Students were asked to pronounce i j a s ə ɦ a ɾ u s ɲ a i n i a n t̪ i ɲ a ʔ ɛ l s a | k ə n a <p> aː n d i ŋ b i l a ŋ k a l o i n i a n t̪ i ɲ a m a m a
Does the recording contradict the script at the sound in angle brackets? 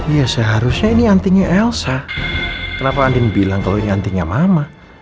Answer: no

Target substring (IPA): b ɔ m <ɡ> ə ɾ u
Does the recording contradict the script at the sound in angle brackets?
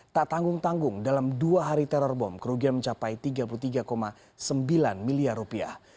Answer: yes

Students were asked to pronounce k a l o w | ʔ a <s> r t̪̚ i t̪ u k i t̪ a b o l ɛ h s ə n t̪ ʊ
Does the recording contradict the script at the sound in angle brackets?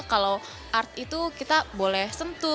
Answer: yes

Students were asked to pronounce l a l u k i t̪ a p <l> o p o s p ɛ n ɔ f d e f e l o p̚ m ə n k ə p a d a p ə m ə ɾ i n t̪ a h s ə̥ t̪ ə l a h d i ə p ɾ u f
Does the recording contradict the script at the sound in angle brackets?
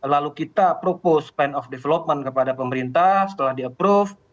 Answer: yes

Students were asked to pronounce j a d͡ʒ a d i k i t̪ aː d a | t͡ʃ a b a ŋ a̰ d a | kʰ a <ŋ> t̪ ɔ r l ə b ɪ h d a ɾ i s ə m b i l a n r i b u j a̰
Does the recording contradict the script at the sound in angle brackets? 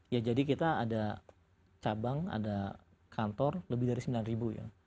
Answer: yes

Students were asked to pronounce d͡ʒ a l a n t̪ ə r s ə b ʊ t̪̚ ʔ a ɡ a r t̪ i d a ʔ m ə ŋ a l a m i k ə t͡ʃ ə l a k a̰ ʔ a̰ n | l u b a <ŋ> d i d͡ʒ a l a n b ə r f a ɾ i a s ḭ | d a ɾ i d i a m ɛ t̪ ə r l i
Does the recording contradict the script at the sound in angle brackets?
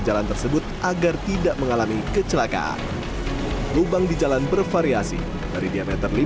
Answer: no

